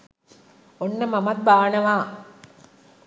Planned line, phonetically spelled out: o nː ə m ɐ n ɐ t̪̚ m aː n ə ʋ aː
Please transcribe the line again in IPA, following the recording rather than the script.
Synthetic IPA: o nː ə m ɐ m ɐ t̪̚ b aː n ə ʋ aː